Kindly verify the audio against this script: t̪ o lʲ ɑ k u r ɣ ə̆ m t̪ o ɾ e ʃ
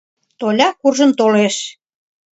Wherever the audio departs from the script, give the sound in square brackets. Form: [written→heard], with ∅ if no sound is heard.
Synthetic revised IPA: t̪ o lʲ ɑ k u r [ɣ→ʒ] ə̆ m t̪ o [ɾ→l] e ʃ